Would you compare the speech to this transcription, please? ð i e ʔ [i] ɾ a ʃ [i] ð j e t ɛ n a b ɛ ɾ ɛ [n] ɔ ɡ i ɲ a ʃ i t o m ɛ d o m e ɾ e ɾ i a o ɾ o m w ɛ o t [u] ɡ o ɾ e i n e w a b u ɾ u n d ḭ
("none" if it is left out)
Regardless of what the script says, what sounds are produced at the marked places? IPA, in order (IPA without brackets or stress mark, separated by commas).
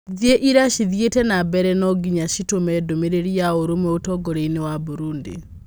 i, i, n, ɔ